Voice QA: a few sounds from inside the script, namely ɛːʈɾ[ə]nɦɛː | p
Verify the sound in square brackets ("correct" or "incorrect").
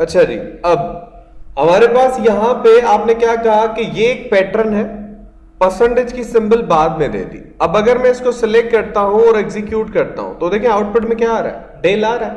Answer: correct